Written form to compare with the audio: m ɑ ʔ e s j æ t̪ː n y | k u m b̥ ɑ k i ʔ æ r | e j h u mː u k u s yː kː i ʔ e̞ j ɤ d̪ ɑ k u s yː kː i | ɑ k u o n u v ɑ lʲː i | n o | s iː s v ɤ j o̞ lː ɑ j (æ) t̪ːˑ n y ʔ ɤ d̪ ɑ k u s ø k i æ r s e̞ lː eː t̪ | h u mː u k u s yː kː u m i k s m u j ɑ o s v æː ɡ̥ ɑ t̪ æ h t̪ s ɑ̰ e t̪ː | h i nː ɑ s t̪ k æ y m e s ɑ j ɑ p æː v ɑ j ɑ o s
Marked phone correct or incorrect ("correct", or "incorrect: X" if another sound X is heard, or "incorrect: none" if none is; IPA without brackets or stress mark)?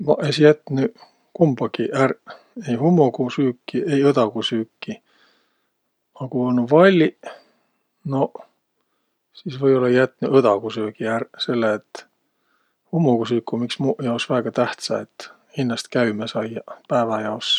correct